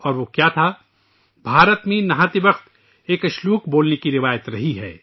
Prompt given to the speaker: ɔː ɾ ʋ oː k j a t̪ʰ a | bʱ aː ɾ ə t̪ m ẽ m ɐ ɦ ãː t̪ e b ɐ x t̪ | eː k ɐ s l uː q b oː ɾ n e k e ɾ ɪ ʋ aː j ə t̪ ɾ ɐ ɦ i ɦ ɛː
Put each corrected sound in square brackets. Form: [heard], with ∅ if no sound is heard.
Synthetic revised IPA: ɔː ɾ ʋ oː k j a t̪ʰ a | bʱ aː ɾ ə t̪ m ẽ [n] ɐ ɦ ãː t̪ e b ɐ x t̪ | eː k ɐ [ʃ] l uː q b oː [l] n e k [i] ɾ ɪ ʋ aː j ə t̪ ɾ ɐ ɦ i ɦ ɛː